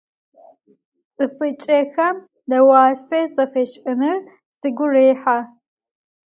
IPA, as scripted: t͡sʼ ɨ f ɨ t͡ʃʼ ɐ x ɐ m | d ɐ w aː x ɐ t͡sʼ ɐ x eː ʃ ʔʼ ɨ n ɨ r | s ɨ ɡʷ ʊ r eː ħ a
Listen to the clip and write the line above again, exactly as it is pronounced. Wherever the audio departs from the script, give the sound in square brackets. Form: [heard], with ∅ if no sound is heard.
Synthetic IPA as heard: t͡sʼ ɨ f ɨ t͡ʃʼ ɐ x ɐ m | d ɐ w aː [s] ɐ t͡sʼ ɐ [f] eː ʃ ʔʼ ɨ n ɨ r | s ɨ ɡʷ ʊ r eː ħ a